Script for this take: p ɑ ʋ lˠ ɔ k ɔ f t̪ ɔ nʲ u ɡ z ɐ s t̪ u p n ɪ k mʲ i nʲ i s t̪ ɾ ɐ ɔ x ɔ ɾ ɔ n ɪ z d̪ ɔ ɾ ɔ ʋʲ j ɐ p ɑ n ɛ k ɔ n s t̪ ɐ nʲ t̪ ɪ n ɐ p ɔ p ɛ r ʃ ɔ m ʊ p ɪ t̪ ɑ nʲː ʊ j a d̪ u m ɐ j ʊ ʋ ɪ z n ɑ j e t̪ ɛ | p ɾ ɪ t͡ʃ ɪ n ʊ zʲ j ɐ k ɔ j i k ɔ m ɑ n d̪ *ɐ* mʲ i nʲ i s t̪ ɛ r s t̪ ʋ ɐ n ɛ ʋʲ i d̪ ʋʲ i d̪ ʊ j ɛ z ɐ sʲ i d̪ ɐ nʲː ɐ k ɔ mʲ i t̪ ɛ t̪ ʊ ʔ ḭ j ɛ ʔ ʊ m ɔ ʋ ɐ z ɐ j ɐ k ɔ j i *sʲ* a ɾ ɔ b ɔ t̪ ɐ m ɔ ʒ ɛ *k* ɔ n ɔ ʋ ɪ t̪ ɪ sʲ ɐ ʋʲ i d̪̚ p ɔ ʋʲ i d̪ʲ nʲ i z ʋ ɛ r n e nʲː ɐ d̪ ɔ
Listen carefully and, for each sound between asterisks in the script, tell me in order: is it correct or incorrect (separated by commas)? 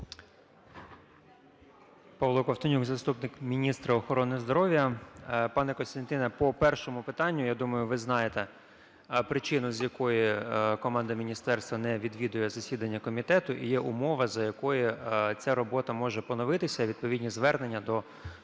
correct, incorrect, incorrect